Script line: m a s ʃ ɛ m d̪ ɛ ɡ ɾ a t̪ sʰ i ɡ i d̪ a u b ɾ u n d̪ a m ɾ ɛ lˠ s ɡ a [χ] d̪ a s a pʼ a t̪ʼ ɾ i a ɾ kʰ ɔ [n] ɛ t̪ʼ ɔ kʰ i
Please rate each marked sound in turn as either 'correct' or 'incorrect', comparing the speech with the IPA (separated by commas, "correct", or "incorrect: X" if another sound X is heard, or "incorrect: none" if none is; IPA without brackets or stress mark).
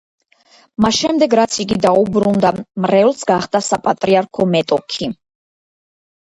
correct, incorrect: m